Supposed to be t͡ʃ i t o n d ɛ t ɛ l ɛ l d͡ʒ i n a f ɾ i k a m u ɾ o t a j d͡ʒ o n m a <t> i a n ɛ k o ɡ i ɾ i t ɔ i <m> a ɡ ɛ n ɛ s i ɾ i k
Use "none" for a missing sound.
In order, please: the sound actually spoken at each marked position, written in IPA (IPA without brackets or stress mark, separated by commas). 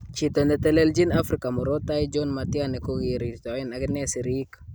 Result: t, n